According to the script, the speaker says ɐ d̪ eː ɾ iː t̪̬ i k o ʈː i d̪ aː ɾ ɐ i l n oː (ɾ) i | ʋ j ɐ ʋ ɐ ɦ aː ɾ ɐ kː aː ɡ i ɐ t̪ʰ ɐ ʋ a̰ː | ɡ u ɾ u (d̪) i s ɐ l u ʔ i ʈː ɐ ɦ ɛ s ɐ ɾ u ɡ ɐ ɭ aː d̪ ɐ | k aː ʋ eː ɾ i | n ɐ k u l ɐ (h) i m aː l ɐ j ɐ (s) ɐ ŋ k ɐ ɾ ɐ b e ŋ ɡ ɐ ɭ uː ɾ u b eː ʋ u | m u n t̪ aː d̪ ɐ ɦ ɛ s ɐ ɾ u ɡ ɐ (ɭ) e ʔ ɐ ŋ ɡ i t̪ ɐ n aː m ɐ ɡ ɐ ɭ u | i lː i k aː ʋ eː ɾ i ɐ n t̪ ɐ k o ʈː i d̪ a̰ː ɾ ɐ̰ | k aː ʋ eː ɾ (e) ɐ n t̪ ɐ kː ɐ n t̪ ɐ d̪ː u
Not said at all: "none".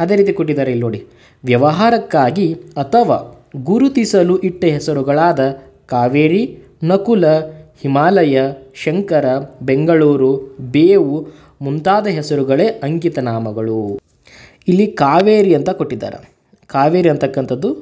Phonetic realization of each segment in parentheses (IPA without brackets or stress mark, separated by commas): ɽ, t̪, h, ʃ, ɭ, i